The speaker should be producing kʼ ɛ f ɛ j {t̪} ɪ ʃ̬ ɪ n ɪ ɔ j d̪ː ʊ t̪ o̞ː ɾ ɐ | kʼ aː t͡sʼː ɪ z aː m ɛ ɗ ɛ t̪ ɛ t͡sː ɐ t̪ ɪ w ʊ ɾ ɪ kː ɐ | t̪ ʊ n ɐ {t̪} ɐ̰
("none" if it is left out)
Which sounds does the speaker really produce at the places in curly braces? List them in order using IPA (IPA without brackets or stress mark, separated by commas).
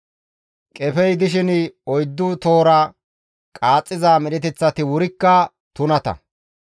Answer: d̪, t̪